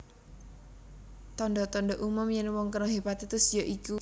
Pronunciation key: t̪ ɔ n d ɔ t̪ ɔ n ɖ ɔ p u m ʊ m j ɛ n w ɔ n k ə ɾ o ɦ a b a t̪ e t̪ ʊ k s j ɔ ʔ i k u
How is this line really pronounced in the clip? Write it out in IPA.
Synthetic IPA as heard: t̪ ɔ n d ɔ t̪ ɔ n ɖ ɔ ʔ u m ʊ m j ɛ n w ɔ ŋ k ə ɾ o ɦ e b a t̪ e t̪ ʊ s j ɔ ʔ i k u